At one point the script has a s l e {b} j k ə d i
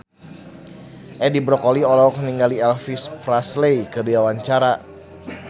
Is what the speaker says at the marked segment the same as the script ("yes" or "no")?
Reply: no